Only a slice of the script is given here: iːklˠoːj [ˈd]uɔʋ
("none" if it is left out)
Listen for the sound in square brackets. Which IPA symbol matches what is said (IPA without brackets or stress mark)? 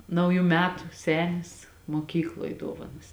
d